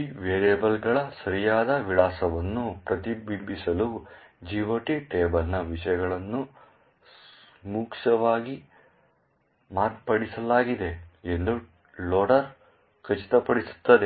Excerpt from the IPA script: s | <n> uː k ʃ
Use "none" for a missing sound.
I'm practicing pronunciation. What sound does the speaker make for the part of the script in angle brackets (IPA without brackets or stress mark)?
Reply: m